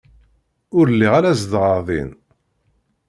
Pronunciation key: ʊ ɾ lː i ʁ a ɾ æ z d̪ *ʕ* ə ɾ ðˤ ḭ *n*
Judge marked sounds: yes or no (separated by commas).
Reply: no, yes